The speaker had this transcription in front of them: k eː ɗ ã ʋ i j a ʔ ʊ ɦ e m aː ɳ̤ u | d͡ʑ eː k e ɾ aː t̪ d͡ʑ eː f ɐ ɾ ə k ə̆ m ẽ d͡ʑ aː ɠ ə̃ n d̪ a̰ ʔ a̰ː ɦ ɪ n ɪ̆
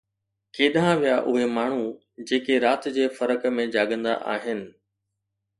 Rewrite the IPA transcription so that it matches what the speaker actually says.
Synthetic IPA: k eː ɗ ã ʋ i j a ʔ ʊ ɦ e m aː ɳ̤ u | d͡ʑ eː k e ɾ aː t̪ d͡ʑ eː f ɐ ɾ ə k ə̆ m ẽ d͡ʑ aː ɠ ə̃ n d̪ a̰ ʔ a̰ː ɦ ɪ n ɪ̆

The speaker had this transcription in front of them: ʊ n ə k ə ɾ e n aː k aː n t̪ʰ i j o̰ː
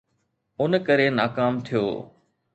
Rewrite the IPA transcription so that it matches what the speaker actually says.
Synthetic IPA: ʊ n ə k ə ɾ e n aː k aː m t̪ʰ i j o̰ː

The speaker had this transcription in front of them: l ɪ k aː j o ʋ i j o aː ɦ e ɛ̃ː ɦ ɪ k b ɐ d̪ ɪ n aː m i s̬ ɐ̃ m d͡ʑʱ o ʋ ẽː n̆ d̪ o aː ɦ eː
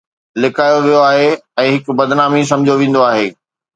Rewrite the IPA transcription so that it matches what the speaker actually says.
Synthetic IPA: l ɪ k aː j o ʋ i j o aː ɦ e ɛ̃ː ɦ ɪ k b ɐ d̪ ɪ n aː m i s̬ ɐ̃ m d͡ʑʱ o ʋ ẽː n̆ d̪ o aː ɦ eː

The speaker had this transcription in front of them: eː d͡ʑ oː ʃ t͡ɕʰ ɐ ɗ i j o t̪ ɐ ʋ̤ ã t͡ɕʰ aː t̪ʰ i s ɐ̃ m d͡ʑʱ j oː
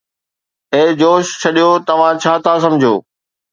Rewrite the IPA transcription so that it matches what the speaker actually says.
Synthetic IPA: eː d͡ʑ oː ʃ t͡ɕʰ ɐ ɗ i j o t̪ ɐ ʋ̤ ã t͡ɕʰ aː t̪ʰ a s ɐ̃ m d͡ʑʱ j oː

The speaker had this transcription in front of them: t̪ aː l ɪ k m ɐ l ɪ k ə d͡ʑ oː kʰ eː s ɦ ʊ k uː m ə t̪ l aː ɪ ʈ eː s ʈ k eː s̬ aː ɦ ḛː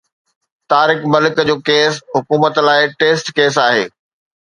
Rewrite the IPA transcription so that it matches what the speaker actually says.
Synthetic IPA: t̪ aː ɾ ɪ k m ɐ l ɪ k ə d͡ʑ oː k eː s ɦ ʊ k uː m ə t̪ l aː ɪ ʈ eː s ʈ k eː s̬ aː ɦ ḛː

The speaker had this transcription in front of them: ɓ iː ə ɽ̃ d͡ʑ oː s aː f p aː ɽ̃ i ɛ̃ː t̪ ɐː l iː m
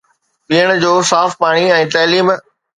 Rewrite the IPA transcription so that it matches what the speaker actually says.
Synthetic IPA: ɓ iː ə ɽ̃ d͡ʑ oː s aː f p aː ɽ̃ i ɛ̃ː t̪ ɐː l iː m

